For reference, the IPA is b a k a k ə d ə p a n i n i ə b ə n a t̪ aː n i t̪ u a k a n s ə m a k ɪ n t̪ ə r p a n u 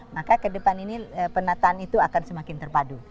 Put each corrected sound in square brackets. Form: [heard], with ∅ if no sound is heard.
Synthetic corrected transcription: [m] a k a k ə d ə p a n i n i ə [p] ə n a t̪ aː n i t̪ u a k a n s ə m a k ɪ n t̪ ə r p a [d] u